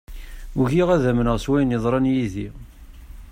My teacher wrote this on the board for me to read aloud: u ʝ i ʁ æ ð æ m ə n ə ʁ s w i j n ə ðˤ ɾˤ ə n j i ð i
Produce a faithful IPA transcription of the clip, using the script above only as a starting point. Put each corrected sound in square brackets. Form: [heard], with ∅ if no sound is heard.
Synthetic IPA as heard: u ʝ i ʁ æ ð æ m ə n ə ʁ s w [æ] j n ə ðˤ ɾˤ [ɑ] n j i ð i